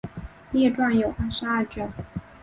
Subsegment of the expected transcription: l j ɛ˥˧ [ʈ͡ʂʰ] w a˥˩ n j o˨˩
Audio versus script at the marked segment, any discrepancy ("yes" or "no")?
yes